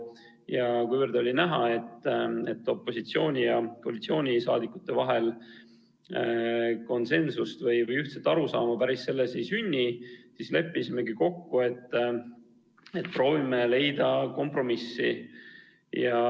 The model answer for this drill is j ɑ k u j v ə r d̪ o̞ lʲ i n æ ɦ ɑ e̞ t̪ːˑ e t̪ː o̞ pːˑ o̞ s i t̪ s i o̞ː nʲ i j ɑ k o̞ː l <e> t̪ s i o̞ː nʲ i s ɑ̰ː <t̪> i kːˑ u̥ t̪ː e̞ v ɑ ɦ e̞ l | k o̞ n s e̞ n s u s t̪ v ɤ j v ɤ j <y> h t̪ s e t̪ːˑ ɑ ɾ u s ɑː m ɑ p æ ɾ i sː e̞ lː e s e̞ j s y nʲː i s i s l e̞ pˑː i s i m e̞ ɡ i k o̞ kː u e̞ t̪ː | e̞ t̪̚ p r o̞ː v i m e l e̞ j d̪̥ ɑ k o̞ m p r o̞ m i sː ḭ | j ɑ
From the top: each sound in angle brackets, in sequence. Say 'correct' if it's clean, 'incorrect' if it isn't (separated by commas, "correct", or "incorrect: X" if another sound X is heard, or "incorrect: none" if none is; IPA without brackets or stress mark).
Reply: incorrect: i, incorrect: d̪, correct